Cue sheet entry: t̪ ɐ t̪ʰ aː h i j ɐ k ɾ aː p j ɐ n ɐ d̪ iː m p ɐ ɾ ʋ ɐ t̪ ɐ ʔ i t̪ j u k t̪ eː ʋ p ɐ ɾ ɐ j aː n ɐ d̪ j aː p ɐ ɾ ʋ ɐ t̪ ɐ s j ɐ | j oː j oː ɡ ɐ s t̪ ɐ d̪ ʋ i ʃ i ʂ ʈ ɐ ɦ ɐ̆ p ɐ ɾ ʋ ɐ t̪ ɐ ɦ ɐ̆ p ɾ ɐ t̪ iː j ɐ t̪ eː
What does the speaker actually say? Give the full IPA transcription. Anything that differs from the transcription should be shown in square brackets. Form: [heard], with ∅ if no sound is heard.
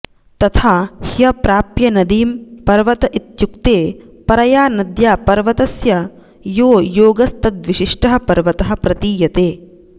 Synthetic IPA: t̪ ɐ t̪ʰ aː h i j ɐ [p] ɾ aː p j ɐ n ɐ d̪ iː m p ɐ ɾ ʋ ɐ t̪ ɐ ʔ i t̪ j u k t̪ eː [∅] p ɐ ɾ ɐ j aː n ɐ d̪ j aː p ɐ ɾ ʋ ɐ t̪ ɐ s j ɐ | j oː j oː ɡ ɐ s t̪ ɐ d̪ ʋ i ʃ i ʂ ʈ ɐ ɦ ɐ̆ p ɐ ɾ ʋ ɐ t̪ ɐ ɦ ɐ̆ p ɾ ɐ t̪ iː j ɐ t̪ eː